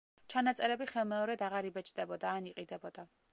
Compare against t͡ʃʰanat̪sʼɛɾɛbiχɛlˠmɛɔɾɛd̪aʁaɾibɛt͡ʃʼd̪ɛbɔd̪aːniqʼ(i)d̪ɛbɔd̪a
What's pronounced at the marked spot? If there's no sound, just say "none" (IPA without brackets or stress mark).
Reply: i